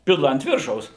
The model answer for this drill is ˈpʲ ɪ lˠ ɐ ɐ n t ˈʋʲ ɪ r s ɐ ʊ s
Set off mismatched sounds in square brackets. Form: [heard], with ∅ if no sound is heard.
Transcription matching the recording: ˈpʲ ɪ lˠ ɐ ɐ n t ˈʋʲ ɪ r [ʃ] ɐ ʊ s